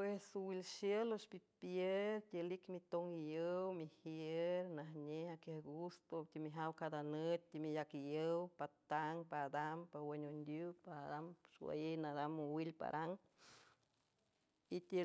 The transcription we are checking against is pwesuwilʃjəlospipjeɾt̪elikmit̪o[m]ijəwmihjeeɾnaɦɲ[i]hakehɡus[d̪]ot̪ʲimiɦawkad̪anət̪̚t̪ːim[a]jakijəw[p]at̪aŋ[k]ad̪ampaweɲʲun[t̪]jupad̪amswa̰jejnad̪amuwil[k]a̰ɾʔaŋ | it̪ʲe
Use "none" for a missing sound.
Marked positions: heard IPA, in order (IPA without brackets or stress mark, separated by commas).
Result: ŋ, e, t̪, i, p, p, d̪, p